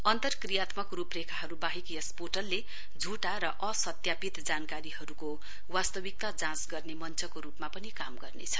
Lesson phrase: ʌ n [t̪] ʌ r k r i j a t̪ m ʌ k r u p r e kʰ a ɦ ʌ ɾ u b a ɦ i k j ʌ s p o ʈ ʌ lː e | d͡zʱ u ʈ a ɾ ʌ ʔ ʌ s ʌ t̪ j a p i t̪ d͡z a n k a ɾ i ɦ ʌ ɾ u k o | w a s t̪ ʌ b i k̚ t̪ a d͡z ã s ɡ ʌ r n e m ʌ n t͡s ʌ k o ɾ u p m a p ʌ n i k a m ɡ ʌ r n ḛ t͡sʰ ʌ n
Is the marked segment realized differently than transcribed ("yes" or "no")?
no